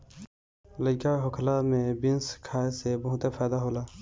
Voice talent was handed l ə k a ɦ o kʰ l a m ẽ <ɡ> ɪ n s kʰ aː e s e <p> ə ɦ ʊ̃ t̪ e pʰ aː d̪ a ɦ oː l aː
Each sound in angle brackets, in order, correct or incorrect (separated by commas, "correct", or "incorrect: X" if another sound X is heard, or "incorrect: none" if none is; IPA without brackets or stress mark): incorrect: b, incorrect: b